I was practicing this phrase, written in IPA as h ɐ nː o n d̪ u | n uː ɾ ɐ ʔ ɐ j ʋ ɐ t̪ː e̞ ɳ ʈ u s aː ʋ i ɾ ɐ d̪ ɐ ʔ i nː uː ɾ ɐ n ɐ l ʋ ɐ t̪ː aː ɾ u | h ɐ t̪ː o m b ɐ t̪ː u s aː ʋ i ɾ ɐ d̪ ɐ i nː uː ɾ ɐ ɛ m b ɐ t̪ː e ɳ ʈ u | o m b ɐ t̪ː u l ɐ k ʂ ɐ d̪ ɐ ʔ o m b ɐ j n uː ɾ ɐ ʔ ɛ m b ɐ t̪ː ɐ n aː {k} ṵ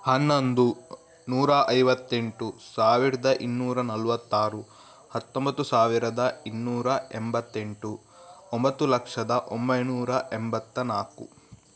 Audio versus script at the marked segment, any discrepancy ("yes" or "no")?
no